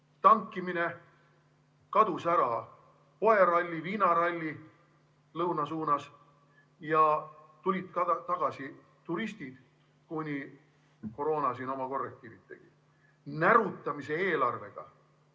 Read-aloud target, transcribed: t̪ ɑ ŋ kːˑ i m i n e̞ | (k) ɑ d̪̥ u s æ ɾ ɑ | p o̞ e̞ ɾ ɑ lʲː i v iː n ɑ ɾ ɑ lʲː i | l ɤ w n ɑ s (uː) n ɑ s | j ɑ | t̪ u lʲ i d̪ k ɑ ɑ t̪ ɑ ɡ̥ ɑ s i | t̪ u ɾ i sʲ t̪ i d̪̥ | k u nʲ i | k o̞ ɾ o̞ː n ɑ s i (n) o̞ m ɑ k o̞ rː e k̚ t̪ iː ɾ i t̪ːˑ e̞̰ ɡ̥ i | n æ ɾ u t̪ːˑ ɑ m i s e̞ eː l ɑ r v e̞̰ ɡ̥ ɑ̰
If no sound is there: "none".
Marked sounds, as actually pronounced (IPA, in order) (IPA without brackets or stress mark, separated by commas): k, uː, n